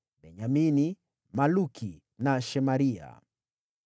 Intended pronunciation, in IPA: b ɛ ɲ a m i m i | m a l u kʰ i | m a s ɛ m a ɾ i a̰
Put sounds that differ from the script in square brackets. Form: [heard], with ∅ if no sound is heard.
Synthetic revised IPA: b ɛ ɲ a m i [n] i | m a l u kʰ i | [n] a [ʃ] ɛ m a ɾ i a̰